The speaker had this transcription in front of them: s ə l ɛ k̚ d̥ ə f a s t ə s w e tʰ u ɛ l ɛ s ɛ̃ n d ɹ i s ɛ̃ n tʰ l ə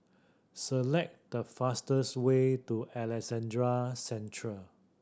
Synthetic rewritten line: s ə l ɛ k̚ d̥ ə f a s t ə s w e t u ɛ l ɛ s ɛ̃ n d ɹ a s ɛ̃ n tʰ ɹ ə